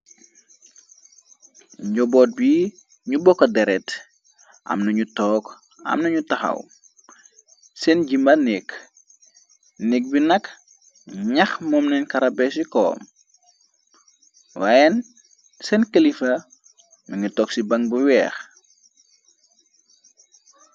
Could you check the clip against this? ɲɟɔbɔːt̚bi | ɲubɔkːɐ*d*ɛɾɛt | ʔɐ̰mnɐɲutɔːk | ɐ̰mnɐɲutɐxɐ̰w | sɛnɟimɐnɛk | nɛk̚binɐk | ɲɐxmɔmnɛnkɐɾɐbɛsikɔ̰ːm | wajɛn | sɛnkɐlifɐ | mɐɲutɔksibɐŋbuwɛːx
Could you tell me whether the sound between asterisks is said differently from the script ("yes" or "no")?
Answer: no